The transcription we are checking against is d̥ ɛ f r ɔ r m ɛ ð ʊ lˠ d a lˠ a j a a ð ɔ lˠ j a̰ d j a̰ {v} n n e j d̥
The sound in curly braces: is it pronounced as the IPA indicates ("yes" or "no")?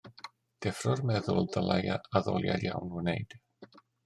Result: no